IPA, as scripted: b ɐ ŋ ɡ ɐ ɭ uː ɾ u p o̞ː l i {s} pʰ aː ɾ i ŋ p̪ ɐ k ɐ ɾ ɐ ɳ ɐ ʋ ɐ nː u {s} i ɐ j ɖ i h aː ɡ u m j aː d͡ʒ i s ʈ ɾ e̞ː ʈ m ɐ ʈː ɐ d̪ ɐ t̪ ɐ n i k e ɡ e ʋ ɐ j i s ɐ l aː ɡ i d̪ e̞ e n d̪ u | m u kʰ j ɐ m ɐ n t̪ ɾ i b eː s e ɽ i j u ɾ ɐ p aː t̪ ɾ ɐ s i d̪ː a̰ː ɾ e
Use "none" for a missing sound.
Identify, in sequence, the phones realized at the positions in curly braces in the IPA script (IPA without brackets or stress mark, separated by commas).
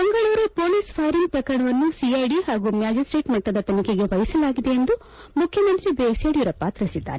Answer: s, s